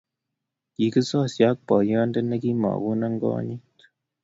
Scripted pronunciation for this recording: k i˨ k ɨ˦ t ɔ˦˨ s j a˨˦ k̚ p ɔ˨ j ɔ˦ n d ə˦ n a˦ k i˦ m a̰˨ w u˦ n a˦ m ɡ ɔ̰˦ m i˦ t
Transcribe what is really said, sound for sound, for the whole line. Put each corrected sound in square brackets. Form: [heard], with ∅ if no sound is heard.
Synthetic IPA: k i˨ k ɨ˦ [s] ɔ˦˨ s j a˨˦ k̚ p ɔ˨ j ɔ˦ n d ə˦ n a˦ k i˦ m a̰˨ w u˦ n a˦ [ŋ] ɡ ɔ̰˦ [ɲ] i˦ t